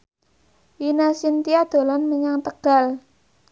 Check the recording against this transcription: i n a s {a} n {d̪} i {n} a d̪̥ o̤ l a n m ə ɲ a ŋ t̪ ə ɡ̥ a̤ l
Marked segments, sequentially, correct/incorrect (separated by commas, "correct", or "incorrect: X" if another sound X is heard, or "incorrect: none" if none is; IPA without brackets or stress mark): incorrect: i, incorrect: t̪, incorrect: none